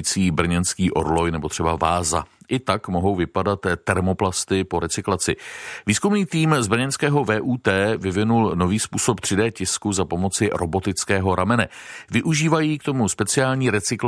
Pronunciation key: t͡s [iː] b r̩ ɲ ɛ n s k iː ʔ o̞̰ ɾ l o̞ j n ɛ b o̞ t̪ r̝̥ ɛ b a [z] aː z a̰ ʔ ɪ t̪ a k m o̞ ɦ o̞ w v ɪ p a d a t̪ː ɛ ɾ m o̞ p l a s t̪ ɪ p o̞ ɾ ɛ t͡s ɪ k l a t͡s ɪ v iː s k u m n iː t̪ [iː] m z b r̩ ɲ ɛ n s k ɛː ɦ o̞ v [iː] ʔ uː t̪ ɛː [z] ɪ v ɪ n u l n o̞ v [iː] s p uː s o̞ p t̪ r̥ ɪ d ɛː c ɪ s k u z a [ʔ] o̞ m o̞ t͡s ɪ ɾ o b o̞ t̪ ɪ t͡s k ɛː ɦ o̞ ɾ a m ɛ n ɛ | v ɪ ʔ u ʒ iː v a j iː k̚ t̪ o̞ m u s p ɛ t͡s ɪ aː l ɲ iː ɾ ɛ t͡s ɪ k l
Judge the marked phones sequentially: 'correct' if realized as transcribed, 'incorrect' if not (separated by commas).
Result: correct, incorrect, correct, incorrect, incorrect, correct, incorrect